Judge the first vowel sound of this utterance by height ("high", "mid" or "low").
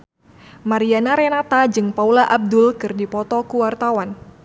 low